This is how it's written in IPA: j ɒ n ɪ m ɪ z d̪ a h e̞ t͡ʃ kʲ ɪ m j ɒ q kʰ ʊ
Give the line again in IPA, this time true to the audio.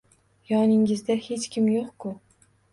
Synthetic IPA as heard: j ɒ n ɪ ŋ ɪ z d̪ a h e̞ t͡ʃ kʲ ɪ m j o q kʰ ʊ